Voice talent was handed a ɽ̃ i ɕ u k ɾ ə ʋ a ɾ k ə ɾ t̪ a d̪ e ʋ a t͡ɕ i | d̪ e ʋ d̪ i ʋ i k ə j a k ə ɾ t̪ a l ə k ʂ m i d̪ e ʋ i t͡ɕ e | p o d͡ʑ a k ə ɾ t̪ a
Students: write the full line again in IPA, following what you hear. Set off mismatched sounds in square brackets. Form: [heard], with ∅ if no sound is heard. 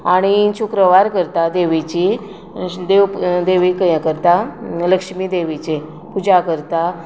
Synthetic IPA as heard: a ɽ̃ i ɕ u k ɾ ə ʋ a ɾ k ə ɾ t̪ a d̪ e ʋ [i] t͡ɕ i | d̪ e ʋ d̪ [e] ʋ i k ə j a k ə ɾ t̪ a l ə k ʂ m i d̪ e ʋ i t͡ɕ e | p [u] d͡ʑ a k ə ɾ t̪ a